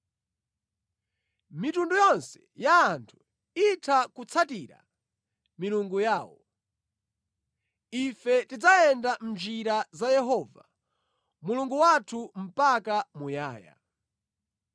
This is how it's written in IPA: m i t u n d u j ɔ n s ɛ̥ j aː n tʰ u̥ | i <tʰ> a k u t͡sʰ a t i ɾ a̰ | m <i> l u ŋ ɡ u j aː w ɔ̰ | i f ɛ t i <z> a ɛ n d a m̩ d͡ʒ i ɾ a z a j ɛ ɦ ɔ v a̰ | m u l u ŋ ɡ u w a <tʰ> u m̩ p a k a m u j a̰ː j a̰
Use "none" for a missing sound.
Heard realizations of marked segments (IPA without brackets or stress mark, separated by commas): tʰ, i, d͡z, tʰ